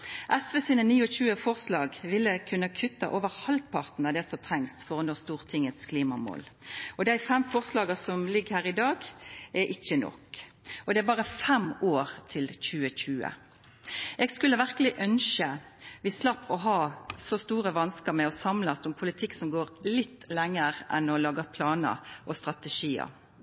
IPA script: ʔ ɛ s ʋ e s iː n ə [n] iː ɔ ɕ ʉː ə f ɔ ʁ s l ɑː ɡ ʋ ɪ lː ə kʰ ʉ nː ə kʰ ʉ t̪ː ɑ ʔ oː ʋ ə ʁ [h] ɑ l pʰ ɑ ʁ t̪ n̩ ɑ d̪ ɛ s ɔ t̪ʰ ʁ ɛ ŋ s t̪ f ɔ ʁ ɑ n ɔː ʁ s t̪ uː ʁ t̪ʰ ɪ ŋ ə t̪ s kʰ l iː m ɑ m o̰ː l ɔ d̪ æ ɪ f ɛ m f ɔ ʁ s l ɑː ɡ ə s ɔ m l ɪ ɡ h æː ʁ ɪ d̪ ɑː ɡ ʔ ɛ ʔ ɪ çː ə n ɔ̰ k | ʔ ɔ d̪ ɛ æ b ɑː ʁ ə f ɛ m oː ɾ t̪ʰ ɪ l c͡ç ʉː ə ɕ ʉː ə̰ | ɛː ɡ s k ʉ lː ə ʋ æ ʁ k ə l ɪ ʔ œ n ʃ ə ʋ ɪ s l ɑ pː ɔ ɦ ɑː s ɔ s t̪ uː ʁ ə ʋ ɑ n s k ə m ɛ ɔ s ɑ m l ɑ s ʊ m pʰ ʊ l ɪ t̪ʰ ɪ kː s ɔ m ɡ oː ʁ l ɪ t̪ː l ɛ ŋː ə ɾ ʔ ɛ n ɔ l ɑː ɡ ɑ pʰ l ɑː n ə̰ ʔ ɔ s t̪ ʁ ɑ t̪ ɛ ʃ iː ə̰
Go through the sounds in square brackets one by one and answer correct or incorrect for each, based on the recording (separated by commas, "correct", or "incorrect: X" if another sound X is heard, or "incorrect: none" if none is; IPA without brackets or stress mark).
correct, correct